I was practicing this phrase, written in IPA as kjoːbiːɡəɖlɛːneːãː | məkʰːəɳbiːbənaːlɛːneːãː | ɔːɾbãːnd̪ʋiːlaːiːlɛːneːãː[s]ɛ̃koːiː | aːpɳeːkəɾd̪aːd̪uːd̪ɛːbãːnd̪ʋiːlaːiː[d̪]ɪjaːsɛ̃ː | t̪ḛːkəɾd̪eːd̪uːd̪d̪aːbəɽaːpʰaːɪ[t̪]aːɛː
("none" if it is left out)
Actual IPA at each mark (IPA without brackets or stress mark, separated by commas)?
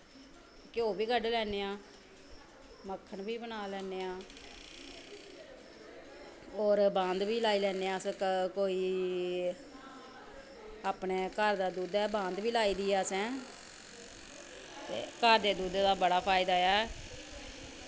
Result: s, d̪, d̪